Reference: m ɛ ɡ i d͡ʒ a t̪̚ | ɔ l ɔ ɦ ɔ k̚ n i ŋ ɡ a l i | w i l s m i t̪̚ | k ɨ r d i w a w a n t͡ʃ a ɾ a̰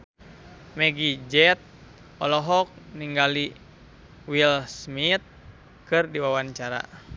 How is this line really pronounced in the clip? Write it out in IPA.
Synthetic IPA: m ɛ ɡ i d͡ʒ ɛ t̪̚ | ɔ l ɔ ɦ ɔ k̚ n i ŋ ɡ a l i | w i l s m i t̪̚ | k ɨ r d i w a w a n t͡ʃ a ɾ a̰